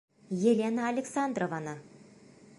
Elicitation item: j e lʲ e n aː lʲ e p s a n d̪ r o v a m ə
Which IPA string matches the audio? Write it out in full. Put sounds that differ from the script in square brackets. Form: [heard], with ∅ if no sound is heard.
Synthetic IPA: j e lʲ e n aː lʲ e [k] s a n d̪ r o v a [n] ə

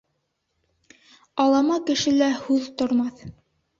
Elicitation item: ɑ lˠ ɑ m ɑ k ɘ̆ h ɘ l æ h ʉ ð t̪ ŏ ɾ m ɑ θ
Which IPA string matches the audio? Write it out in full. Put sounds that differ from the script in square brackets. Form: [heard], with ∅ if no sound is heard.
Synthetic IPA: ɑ lˠ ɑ m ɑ k ɘ̆ [ʃ] ɘ l æ h ʉ ð t̪ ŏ ɾ m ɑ θ

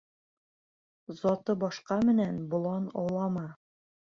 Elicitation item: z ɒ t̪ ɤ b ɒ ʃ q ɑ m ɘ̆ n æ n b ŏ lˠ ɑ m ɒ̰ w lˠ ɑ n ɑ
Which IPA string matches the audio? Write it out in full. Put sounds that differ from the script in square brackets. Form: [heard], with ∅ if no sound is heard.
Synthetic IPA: z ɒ t̪ ɤ b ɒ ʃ q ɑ m ɘ̆ n æ n b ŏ lˠ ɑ [n] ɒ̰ w lˠ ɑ [m] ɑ

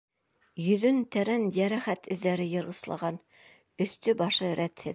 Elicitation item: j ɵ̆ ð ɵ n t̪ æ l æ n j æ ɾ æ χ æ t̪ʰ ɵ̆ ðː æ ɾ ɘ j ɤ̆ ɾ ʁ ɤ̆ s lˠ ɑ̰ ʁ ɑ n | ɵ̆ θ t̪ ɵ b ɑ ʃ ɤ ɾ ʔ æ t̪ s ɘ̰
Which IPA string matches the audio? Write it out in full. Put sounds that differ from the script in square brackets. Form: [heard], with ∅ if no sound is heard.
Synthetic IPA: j ɵ̆ ð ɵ n t̪ æ [ɾ] æ n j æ ɾ æ χ æ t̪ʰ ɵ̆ ðː æ ɾ ɘ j ɤ̆ ɾ ʁ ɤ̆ s lˠ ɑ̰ ʁ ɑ n | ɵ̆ θ t̪ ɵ b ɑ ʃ ɤ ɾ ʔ æ t̪ [h] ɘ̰

